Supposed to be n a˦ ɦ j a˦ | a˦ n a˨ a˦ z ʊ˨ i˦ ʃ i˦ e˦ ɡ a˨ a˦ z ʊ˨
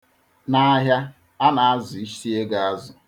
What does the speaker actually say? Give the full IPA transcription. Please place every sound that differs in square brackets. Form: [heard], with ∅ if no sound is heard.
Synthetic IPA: n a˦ ɦ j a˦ | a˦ n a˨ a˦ z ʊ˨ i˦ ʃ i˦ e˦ ɡ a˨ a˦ z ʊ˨